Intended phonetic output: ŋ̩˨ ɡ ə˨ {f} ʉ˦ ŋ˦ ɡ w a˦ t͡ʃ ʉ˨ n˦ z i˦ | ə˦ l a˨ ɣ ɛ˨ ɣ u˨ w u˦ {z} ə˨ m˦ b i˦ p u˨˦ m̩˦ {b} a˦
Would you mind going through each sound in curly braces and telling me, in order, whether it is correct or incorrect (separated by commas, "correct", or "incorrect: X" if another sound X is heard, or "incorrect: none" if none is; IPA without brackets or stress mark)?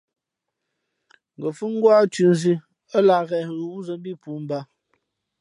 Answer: correct, correct, correct